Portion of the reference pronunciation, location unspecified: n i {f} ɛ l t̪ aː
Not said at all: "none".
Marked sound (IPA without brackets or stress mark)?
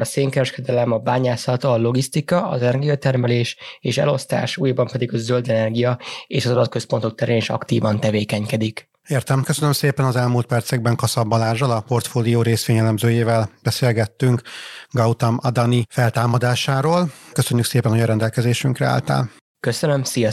f